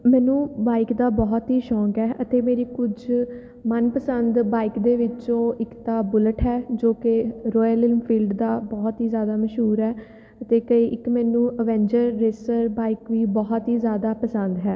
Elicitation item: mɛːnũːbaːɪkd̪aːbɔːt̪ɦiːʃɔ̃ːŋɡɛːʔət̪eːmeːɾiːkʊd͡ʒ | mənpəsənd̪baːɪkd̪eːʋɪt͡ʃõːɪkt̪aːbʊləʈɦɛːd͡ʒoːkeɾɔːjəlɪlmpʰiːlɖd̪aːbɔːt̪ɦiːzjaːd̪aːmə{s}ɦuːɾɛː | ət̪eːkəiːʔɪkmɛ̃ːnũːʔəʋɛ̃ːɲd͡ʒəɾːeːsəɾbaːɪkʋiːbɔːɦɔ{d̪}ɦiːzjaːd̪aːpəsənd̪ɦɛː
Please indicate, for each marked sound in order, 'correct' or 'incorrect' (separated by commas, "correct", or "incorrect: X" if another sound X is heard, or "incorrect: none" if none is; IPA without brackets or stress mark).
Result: incorrect: ʃ, incorrect: t̪